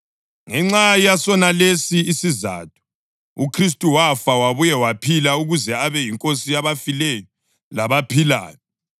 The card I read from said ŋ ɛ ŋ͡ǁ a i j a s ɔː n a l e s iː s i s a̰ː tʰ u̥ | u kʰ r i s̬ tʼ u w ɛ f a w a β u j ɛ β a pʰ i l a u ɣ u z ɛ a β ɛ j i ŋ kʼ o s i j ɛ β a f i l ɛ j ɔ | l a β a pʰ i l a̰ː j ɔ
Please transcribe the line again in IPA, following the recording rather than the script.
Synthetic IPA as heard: ŋ ɛ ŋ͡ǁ a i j a s ɔ n a l e s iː s i z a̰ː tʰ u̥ | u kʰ r i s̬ tʼ u w a f a w a β u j ɛ w a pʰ i l a u ɣ u z ɛ a β ɛ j i ŋ kʼ o s i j a β a f i l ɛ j ɔ | l a β a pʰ i l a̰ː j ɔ